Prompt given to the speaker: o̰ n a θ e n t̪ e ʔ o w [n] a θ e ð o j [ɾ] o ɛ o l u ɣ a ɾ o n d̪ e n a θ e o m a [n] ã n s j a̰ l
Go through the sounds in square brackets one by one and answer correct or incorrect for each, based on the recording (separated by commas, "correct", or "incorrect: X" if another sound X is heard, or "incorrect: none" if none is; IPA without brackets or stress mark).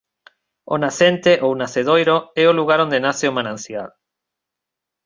correct, correct, correct